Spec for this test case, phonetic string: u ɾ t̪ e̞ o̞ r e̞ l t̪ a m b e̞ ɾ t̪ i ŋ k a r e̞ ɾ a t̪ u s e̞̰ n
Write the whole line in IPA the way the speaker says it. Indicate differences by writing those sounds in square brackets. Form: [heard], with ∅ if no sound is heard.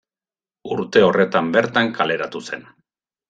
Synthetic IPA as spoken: u ɾ t̪ e̞ o̞ r e̞ [∅] t̪ a m b e̞ ɾ t̪ [a] ŋ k a [l] e̞ ɾ a t̪ u s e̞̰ n